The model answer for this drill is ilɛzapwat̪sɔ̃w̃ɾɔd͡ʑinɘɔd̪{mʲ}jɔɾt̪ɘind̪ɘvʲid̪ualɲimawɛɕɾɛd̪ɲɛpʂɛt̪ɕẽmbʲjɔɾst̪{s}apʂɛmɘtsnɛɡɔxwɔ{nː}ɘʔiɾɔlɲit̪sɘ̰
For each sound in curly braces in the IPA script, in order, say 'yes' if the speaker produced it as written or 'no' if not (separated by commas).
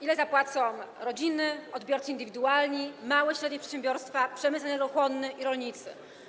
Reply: no, no, yes